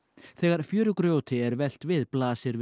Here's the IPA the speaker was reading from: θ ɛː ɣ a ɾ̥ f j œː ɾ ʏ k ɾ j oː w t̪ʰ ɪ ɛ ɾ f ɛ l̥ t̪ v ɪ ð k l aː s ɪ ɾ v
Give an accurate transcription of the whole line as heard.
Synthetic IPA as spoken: θ ɛː ɣ a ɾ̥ f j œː ɾ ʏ k ɾ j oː w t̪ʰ ɪ ɛ ɾ v ɛ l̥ t̪ v ɪ ð p l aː s ɪ ɾ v

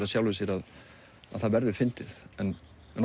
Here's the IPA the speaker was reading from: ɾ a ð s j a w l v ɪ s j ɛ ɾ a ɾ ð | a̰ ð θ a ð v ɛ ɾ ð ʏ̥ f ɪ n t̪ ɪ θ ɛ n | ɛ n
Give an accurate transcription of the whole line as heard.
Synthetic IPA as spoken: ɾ a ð s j a w l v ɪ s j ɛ ɾ a ð | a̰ ð θ a ð v ɛ ɾ ð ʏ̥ f ɪ n t̪ ɪ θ ɛ n | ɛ n

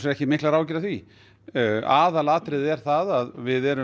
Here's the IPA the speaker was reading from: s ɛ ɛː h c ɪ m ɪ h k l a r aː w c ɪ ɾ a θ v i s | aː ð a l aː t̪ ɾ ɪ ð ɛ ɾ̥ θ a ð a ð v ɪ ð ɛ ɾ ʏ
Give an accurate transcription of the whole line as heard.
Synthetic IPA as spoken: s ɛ ɛ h c ɪ m ɪ h k l a ɾ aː w c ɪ ɾ a θ v i | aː ð a l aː t̪ ɾ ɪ ð ɛ ɾ̥ θ a ð a ð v ɪ ð ɛ ɾ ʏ

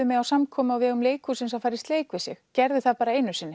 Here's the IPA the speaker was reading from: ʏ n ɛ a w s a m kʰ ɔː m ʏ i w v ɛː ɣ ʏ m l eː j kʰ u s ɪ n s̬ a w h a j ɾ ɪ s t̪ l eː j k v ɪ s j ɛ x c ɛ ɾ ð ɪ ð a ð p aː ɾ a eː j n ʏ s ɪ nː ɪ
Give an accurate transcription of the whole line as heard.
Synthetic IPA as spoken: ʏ m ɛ a w s a m kʰ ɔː m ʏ a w v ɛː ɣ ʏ m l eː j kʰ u s ɪ n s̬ a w f a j ɾ ɪ s t̪ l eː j k v ɪ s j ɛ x c ɛ ɾ ð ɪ θ a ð p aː ɾ a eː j n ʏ s ɪ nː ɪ

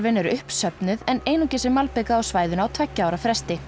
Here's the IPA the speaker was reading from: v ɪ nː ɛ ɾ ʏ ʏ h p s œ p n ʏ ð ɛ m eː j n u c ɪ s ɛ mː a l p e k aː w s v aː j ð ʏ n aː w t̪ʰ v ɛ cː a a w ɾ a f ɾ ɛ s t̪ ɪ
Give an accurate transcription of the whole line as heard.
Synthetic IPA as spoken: v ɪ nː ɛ ɾ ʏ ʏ h p s œ p n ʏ ð ɛ n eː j n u c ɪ s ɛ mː a l p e k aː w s v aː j ð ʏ n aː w t̪ʰ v ɛ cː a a w ɾ a f ɾ ɛ s t̪ ɪ

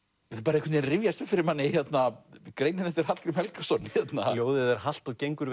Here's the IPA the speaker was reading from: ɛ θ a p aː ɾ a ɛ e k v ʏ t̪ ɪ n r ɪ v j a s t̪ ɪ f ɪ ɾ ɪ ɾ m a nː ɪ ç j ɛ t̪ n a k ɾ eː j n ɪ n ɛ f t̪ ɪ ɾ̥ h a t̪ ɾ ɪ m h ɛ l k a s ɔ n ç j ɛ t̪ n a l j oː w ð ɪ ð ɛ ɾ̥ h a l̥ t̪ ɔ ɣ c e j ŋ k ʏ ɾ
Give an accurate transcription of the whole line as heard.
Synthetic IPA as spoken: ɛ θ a p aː ɾ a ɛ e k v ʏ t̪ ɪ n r ɪ v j a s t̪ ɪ f ɪ ɾ ɪ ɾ m a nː ɪ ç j ɛ t̪ n a k ɾ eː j n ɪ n ɛ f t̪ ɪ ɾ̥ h a t̪ l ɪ m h ɛ l k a s ɔ n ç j ɛ t̪ n a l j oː w ð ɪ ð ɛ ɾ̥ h a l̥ t̪ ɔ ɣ c e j ŋ k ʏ ɾ

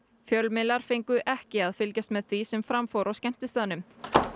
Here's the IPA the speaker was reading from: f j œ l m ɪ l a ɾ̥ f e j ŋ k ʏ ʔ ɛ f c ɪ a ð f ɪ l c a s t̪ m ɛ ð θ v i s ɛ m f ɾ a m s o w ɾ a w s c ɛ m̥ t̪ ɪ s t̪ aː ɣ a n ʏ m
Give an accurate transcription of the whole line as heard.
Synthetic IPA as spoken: f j œ l m ɪ l a ɾ̥ f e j ŋ k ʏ ʔ ɛ h c ɪ a ð f ɪ l c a s t̪ m ɛ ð θ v i s ɛ m f ɾ a m f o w ɾ a w s c ɛ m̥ t̪ ɪ s t̪ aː ð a n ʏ m

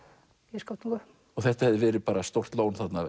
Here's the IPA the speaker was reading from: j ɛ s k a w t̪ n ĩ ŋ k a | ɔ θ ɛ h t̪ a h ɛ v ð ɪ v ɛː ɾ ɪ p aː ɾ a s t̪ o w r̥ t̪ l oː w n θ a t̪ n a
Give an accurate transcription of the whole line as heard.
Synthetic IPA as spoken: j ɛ s k a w t̪ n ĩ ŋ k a | ɔ θ ɛ h t̪ a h ɛ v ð ɪ v ɛː ɾ ɪ p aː ɾ a s t̪ o w r̥ t̪ l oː w n θ a t̪ n a

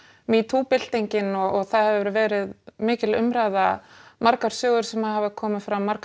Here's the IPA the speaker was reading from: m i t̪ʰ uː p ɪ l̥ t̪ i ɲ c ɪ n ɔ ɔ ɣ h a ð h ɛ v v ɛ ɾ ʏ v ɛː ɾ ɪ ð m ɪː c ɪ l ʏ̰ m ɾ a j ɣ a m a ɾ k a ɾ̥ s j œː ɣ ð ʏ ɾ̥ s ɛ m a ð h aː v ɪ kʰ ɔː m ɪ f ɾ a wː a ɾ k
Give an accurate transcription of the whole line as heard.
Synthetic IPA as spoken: m i t̪ʰ uː p ɪ l̥ t̪ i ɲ c ɪ n ɔ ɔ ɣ θ a ð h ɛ v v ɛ ɾ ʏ v ɛː ɾ ɪ ð m ɪː c ɪ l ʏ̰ m ɾ a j ð a m a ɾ k a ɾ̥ s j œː ɣ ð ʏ ɾ̥ s ɛ m a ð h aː v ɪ kʰ ɔː m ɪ f ɾ a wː a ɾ k

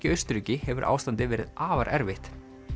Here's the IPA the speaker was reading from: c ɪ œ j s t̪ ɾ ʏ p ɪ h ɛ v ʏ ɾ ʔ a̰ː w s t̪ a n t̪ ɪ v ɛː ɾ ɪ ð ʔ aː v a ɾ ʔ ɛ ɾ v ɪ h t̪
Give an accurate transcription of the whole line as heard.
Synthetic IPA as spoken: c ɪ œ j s t̪ ɾ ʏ c ɪ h ɛ v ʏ ɾ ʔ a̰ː w s t̪ a n t̪ ɪ v ɛː ɾ ɪ ð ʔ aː v a ɾ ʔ ɛ ɾ v ɪ h t̪

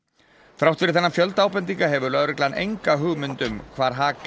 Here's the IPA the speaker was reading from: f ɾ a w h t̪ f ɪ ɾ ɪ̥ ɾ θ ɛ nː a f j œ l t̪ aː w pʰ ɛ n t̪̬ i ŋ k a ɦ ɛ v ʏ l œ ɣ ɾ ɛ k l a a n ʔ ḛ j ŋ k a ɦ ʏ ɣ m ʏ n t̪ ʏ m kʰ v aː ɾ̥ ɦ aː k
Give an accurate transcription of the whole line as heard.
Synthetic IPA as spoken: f ɾ a w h t̪ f ɪ ɾ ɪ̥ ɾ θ ɛ nː a f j œ l t̪ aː w p ɛ n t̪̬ i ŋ k a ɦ ɛ v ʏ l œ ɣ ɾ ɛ k l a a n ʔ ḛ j ŋ k a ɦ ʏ ɣ m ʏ n t̪ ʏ m kʰ v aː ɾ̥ ɦ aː k

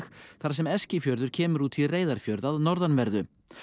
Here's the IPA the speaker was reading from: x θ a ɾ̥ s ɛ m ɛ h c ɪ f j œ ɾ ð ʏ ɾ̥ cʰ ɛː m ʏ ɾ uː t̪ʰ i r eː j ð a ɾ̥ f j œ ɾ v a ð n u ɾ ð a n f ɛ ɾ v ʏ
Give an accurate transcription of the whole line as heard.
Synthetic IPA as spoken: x θ a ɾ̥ s ɛ m ɛ s c ɪ f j œ ɾ ð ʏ ɾ̥ cʰ ɛː m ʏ ɾ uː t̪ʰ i r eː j ð a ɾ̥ f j œ ɾ ð a ð n ɔ ɾ ð a n v ɛ ɾ ð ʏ

